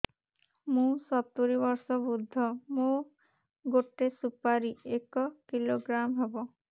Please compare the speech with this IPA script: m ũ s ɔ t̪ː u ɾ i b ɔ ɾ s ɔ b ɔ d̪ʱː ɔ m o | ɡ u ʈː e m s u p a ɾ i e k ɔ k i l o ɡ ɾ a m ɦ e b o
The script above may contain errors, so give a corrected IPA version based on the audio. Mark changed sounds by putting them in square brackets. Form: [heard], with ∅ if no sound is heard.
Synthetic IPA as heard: m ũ s ɔ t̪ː u ɾ i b ɔ ɾ s ɔ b [u] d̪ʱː ɔ m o | ɡ [o] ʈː e [∅] s u p a ɾ i e k ɔ k i l o ɡ ɾ a m ɦ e b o